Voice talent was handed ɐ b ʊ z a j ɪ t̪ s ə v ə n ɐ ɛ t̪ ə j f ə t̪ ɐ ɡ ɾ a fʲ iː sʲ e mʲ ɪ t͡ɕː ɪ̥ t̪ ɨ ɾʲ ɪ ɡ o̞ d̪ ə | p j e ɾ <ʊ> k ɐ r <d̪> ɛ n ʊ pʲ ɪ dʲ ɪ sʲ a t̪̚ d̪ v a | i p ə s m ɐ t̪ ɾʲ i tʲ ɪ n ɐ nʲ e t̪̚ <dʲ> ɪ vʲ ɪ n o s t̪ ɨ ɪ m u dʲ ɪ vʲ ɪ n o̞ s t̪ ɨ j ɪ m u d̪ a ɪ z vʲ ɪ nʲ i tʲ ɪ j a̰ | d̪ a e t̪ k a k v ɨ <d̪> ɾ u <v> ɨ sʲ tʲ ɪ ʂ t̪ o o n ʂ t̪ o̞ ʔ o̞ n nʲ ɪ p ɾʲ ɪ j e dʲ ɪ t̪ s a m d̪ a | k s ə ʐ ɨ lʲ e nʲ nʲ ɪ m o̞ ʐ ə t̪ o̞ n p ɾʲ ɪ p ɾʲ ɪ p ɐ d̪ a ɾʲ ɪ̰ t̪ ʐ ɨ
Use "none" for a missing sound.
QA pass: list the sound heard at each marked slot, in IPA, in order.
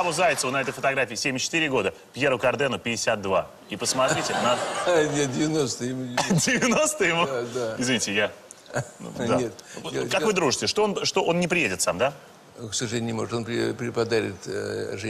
ʊ, d̪, dʲ, d̪, ʐ

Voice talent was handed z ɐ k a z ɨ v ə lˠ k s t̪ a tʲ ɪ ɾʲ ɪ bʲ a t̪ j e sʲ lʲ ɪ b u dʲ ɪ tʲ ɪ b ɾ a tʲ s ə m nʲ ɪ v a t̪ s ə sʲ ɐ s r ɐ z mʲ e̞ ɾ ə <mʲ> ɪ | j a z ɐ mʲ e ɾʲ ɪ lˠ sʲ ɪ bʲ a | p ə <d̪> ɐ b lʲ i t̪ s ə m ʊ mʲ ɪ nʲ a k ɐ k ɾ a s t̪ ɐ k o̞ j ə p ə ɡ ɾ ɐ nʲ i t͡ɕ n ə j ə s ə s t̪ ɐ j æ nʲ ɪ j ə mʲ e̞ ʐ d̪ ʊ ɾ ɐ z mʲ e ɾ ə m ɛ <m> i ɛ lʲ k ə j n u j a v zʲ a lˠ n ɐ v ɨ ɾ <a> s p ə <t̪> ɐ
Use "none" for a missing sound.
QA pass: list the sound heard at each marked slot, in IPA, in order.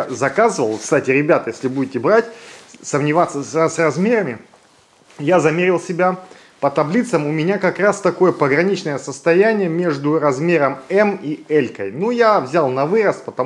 mʲ, t̪, m, ə, t̪

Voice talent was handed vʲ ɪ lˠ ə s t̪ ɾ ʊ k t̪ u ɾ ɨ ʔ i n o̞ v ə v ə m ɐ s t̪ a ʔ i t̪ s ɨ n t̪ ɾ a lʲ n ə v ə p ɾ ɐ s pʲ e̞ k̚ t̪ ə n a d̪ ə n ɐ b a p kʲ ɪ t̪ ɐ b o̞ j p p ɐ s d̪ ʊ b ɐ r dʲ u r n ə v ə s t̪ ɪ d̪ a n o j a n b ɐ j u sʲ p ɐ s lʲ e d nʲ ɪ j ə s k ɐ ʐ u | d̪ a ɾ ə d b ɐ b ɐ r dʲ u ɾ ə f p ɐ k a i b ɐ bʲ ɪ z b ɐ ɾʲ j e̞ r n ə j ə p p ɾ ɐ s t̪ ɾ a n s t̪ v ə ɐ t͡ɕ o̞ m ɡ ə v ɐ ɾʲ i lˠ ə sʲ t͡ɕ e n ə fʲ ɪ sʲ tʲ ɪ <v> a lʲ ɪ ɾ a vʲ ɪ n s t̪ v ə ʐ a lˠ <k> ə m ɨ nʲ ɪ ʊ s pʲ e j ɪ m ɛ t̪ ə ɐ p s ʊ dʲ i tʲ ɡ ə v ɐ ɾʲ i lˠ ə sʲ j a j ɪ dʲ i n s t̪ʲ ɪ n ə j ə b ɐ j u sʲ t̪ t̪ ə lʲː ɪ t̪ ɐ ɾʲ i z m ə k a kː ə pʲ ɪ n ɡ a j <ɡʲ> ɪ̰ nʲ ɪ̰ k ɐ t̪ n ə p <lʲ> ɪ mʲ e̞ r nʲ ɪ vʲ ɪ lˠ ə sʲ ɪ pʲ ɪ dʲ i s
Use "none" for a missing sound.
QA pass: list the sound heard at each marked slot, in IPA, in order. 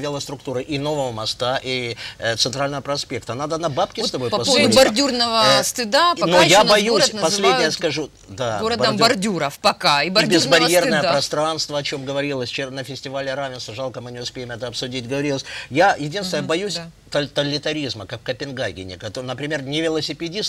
v, k, ɡʲ, ɾʲ

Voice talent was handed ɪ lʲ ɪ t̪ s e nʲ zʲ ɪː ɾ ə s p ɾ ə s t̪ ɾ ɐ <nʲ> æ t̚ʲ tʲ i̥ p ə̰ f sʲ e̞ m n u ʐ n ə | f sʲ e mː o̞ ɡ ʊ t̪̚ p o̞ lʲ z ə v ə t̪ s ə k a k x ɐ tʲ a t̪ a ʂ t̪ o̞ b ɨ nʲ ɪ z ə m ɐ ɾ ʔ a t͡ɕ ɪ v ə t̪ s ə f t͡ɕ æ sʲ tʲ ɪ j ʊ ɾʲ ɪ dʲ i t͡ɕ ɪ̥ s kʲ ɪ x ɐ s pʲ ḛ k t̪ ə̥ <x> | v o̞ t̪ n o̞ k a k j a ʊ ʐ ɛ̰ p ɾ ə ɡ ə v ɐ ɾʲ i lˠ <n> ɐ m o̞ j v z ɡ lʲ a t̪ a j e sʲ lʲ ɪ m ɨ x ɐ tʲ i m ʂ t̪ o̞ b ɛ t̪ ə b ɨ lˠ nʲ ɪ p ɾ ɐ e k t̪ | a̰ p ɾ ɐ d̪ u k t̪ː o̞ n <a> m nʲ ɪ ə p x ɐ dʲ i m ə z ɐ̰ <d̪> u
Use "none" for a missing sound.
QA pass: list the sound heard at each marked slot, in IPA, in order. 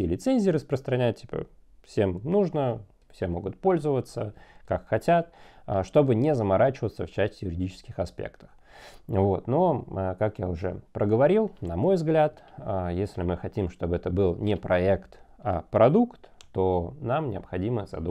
nʲ, x, n, a, d̪

